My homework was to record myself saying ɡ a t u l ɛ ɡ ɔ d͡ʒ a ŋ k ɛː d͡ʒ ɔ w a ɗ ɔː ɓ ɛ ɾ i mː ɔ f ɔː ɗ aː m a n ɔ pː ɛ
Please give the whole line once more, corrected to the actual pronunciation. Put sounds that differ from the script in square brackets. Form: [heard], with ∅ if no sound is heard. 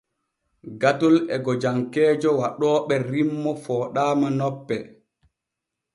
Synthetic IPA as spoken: ɡ a t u l ɛ ɡ ɔ d͡ʒ a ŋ k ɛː d͡ʒ ɔ w a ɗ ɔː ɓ ɛ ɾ i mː ɔ f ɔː ɗ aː m a n ɔ pː ɛ